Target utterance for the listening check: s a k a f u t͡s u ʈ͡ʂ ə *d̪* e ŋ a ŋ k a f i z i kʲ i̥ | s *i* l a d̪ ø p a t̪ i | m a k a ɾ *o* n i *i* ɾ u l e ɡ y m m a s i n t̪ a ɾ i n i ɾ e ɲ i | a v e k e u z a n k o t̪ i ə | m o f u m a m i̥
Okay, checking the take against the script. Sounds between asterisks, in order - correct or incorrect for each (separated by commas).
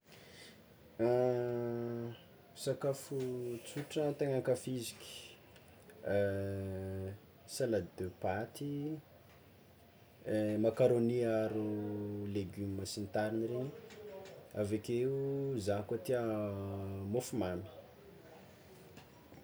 incorrect, incorrect, correct, incorrect